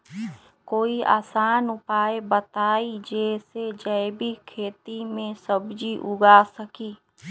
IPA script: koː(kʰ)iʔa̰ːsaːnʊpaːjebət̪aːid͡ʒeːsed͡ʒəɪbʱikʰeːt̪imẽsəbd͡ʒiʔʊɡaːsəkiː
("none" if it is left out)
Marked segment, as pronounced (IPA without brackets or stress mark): none